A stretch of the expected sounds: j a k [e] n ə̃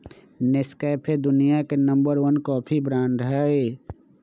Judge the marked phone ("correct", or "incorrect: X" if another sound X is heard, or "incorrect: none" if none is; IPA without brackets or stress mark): correct